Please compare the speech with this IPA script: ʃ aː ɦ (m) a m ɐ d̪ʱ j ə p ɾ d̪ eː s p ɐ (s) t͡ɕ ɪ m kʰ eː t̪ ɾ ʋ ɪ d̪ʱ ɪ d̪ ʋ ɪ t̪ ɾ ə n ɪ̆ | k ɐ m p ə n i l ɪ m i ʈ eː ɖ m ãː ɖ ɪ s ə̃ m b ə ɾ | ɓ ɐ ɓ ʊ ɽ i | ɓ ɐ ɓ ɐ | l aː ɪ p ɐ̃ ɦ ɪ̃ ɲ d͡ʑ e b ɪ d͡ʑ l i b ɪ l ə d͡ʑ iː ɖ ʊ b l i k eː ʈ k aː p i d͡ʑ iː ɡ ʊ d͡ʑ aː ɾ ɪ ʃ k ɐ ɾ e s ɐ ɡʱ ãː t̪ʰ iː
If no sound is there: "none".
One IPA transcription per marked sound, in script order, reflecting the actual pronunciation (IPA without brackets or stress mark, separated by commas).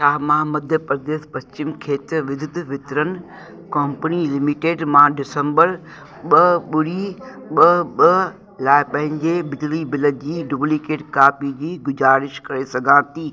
m, s